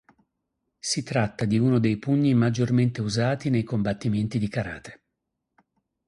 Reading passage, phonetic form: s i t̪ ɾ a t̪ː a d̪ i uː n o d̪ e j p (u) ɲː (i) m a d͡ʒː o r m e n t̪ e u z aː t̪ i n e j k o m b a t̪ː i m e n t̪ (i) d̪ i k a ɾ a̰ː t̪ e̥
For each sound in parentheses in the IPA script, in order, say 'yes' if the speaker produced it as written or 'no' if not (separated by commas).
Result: yes, yes, yes